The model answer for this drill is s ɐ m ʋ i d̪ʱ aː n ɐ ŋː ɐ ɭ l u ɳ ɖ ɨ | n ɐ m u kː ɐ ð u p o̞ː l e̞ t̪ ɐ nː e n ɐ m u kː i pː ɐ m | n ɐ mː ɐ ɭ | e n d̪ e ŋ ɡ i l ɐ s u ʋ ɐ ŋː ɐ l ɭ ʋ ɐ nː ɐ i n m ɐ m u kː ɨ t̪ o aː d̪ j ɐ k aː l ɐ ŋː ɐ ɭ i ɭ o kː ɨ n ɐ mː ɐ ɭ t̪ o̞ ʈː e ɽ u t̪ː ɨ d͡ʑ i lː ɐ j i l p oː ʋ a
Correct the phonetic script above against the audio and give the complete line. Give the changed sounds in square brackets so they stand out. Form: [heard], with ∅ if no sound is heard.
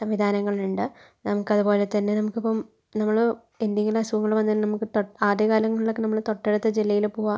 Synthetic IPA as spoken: s ɐ m ʋ i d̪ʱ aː n ɐ ŋː ɐ ɭ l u ɳ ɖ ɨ | n ɐ m u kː ɐ ð u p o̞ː l e̞ t̪ ɐ nː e n ɐ m u kː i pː ɐ m | n ɐ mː ɐ ɭ | e n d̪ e ŋ ɡ i l ɐ s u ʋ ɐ ŋː ɐ [∅] ɭ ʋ ɐ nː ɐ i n [n] ɐ m u kː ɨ t̪ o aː d̪ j ɐ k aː l ɐ ŋː ɐ ɭ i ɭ o kː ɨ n ɐ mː ɐ ɭ t̪ o̞ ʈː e ɽ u t̪ː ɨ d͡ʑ i lː ɐ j i l p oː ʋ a